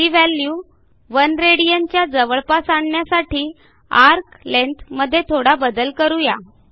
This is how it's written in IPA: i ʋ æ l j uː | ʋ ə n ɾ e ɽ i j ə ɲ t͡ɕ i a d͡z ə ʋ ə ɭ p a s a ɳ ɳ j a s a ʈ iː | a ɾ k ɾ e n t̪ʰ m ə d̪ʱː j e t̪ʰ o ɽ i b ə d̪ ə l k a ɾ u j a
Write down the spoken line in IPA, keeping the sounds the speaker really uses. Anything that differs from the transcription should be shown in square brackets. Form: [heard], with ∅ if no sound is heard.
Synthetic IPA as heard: i ʋ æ l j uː | ʋ ə n ɾ e ɽ i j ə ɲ t͡ɕ [j] a d͡z ə ʋ ə ɭ p a s a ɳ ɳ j a s a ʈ iː | a ɾ k [l] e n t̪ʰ m ə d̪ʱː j e t̪ʰ o ɽ [a] b ə d̪ ə l k [ə] ɾ u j a